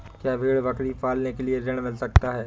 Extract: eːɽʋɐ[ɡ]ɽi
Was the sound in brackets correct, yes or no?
no